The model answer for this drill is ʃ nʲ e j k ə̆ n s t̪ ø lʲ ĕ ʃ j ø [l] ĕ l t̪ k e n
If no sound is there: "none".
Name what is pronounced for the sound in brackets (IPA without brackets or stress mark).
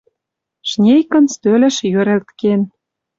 ɾ